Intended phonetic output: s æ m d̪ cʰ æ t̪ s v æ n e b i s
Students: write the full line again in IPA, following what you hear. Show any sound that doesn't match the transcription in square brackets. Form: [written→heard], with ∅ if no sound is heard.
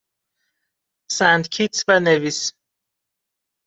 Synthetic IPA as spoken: s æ [m→n] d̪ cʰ [æ→i] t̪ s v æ n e [b→v] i s